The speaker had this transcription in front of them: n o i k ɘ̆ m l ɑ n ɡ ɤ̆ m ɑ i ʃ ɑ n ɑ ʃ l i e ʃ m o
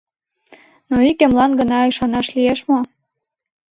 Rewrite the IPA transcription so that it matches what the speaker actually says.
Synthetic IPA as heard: n o i k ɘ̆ m l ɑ n ɡ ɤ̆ n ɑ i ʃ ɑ n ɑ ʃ l i e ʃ m o